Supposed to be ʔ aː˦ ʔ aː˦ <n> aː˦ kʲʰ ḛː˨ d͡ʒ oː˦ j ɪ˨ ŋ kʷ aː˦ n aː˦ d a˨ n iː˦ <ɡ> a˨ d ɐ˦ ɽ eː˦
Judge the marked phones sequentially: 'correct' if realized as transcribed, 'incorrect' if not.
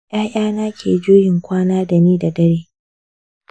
correct, incorrect: d

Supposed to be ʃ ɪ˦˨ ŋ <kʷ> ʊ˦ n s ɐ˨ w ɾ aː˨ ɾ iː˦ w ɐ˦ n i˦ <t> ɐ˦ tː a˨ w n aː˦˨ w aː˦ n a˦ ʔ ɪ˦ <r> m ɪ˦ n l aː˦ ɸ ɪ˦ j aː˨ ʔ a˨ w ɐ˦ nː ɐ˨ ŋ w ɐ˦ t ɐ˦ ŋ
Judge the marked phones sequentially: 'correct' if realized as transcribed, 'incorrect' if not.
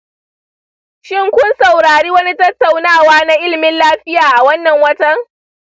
correct, correct, incorrect: l

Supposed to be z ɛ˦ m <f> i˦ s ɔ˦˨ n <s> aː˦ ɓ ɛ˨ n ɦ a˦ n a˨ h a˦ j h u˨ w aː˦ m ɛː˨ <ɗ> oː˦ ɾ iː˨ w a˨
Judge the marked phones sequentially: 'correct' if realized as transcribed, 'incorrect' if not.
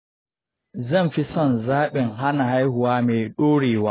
correct, incorrect: z, correct

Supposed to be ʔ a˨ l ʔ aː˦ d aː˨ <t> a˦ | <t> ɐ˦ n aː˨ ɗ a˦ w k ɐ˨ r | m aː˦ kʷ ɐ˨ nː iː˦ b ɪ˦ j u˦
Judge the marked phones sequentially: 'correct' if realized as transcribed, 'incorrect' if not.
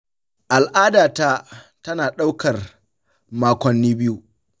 correct, correct

